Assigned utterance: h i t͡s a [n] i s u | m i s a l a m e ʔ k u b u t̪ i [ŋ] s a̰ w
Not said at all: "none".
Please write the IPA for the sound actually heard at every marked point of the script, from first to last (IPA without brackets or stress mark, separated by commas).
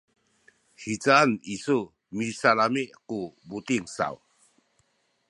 n, ŋ